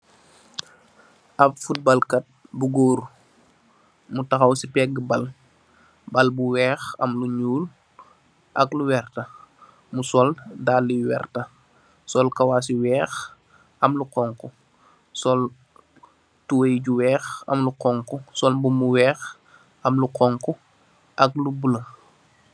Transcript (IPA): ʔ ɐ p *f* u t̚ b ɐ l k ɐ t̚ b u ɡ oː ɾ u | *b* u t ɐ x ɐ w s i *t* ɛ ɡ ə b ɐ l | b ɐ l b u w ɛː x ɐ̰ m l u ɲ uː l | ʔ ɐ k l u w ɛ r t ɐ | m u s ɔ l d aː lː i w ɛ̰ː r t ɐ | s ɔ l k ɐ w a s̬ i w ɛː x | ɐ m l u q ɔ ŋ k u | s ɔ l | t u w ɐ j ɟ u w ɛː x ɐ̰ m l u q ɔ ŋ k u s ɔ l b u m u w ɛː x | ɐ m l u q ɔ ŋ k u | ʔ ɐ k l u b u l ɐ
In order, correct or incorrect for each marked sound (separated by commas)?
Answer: correct, incorrect, incorrect